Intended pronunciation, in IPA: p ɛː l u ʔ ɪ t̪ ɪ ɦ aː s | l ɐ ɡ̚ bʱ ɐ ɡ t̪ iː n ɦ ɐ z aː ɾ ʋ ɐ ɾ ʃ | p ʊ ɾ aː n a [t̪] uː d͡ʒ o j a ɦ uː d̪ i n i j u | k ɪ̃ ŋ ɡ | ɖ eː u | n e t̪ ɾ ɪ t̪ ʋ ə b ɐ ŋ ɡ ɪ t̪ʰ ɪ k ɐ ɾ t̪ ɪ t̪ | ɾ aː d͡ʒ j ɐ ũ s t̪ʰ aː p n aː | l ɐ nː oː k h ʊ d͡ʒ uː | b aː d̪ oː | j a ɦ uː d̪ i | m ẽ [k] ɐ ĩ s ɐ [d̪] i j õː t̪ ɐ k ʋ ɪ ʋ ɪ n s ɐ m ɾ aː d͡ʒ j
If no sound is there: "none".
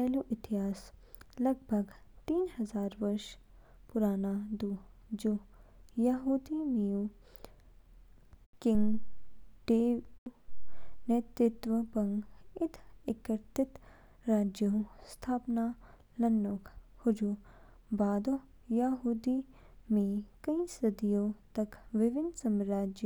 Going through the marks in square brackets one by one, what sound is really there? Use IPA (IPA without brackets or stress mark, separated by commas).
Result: d̪, k, d̪